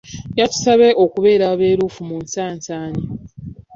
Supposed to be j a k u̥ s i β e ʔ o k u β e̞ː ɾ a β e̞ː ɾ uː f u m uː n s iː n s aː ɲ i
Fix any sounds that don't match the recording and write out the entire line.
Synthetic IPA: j a t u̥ s a β e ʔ o k u β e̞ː ɾ a β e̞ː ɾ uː f u m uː n s aː n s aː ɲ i